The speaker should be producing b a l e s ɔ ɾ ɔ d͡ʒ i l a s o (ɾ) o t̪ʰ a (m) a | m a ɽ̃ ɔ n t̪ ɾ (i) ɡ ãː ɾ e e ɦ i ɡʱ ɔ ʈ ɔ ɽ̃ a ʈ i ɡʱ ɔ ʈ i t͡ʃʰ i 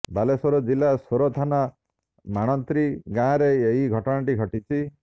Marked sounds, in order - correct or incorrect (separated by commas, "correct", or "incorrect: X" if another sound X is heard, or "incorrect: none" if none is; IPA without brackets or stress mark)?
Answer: correct, incorrect: n, correct